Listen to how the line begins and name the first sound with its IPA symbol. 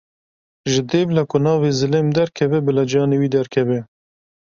ʒ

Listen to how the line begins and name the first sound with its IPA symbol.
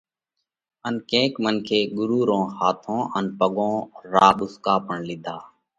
ə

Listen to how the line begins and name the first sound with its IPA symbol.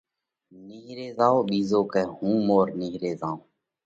n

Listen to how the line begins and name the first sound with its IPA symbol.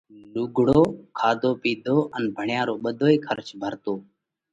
l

